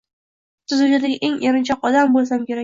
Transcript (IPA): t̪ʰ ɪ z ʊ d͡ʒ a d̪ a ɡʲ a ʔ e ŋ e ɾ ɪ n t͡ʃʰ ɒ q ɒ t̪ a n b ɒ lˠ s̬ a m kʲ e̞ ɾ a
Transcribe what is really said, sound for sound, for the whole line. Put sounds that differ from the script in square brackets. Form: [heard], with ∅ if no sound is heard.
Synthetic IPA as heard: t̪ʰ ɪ z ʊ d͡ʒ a d̪ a ɡʲ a ʔ e ŋ e ɾ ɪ n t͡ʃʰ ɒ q ɒ [d̪] a [m] b [o] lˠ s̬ a m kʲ e̞ ɾ a